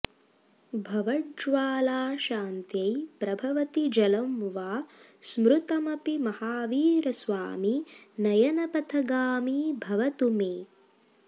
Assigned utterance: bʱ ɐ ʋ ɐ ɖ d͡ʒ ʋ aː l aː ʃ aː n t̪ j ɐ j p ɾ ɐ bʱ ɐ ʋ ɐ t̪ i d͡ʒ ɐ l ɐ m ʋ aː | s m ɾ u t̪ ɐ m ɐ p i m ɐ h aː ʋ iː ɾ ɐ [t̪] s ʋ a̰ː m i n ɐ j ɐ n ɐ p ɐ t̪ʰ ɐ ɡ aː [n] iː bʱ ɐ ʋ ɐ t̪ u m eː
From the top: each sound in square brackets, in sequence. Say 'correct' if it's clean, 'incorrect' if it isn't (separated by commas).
incorrect, incorrect